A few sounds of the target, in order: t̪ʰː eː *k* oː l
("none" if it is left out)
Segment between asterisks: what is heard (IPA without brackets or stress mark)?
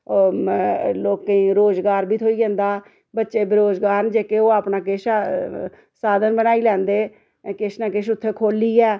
kʰ